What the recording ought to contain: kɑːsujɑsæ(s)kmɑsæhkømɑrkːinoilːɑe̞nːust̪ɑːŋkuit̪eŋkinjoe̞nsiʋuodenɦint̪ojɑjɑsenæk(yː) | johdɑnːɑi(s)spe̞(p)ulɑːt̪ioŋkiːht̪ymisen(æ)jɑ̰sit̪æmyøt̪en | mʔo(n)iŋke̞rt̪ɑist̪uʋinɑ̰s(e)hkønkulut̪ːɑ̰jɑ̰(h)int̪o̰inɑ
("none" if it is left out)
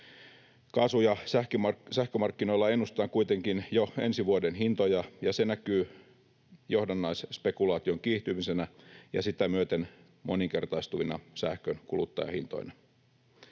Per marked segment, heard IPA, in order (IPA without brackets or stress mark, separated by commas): h, yː, s, k, æ, n, æ, h